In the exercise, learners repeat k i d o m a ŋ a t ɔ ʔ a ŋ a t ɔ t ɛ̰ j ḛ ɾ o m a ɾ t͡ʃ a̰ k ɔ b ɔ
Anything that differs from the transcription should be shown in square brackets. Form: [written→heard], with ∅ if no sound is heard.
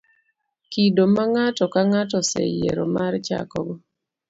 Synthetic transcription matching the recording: k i d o m a ŋ a t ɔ [ʔ→k] a ŋ a t ɔ [t→s] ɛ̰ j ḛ ɾ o m a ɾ t͡ʃ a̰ k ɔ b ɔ

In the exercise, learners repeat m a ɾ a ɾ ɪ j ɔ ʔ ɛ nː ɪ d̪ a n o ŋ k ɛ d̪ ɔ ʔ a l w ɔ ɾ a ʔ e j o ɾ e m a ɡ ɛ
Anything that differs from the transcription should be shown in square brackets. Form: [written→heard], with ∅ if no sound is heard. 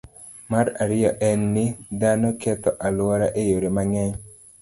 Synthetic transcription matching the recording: m a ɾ a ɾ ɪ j ɔ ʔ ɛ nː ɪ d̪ a n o [ŋ→∅] k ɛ [d̪→t̪] ɔ ʔ a l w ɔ ɾ a ʔ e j o ɾ e m a [ɡ→ŋ] ɛ

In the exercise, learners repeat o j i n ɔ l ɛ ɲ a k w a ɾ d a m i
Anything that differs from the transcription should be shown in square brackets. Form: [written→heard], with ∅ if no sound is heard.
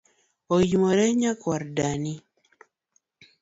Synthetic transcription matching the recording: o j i [n→m] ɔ [l→ɾ] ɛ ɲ a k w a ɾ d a [m→n] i

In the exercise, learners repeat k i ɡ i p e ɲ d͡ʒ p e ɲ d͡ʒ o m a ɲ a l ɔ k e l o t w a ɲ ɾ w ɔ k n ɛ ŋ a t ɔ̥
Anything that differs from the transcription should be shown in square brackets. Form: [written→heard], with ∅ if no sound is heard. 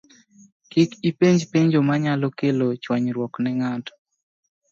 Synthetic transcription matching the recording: k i [ɡ→k] i p e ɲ d͡ʒ p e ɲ d͡ʒ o m a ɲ a l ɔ k e l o [t→t͡ʃ] w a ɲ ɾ w ɔ k n ɛ ŋ a t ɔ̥

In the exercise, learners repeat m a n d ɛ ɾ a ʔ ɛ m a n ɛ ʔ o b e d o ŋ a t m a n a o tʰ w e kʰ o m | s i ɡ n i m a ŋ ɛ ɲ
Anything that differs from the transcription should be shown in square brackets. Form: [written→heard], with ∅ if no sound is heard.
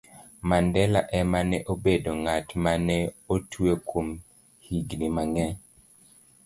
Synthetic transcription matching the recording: m a n d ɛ [ɾ→l] a ʔ ɛ m a n ɛ ʔ o b e d o ŋ a t m a n [a→ɛ] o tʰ w e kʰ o m | [s→h] i ɡ n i m a ŋ ɛ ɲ

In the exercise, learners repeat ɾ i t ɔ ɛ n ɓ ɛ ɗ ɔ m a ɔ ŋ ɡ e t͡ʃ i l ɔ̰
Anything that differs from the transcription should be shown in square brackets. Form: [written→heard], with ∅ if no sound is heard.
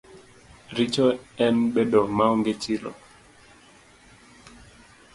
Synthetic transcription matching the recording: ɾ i [t→t͡ʃ] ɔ ɛ n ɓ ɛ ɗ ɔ m a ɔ ŋ ɡ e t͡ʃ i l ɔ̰

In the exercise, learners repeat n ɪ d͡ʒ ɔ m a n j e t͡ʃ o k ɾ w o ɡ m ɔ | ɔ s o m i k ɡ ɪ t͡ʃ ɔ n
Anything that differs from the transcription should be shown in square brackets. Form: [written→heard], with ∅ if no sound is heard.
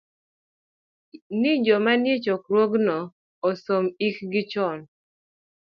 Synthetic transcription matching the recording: n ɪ d͡ʒ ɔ m a n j e t͡ʃ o k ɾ w o ɡ [m→n] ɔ | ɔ s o m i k ɡ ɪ t͡ʃ ɔ n

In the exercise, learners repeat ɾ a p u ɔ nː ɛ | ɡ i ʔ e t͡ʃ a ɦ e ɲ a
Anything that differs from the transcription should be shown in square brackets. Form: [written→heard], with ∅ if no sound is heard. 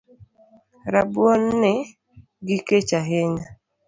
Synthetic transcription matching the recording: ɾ a [p→b] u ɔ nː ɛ | ɡ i [ʔ→k] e t͡ʃ a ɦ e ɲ a

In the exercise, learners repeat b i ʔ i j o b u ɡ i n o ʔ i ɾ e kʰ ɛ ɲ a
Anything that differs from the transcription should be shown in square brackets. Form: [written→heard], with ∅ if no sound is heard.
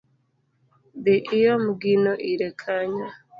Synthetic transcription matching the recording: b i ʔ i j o [b→m] u ɡ i n o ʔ i ɾ e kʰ [ɛ→a] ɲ a

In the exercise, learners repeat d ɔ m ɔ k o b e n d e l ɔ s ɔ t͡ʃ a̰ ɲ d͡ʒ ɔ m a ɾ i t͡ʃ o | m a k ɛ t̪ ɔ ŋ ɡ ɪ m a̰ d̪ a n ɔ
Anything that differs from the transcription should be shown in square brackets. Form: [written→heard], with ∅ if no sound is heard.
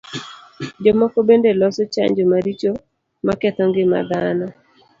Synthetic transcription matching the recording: [d→d͡ʒ] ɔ m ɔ k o b e n d e l ɔ s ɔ t͡ʃ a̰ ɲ d͡ʒ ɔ m a ɾ i t͡ʃ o | m a k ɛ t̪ ɔ ŋ ɡ ɪ m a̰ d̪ a n ɔ

